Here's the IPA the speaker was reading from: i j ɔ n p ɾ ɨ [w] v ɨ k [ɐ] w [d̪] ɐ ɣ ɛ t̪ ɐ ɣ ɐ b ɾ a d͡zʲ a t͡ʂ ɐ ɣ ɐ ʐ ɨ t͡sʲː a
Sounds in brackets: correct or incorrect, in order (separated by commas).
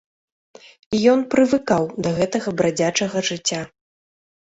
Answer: incorrect, incorrect, correct